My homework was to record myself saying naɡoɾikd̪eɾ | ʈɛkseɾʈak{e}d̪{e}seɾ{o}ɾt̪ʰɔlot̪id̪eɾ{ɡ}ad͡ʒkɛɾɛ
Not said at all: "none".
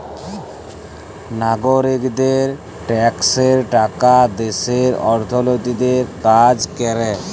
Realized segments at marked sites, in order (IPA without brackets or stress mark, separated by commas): a, e, ɔ, k